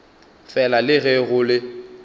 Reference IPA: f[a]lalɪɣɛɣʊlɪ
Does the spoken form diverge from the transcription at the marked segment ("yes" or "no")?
yes